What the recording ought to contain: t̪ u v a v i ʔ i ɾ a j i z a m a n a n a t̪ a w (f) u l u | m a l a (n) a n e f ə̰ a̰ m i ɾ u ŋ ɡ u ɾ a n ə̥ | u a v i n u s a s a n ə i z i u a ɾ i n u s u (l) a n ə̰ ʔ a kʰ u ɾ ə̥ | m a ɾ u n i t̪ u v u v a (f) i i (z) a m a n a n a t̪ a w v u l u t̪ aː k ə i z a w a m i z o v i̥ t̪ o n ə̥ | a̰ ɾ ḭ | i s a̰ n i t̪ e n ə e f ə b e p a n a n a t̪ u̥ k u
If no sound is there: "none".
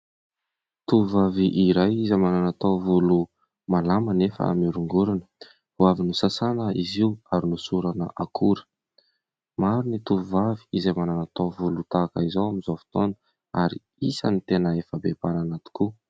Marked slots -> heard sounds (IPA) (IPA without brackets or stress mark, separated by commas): v, m, ɾ, v, z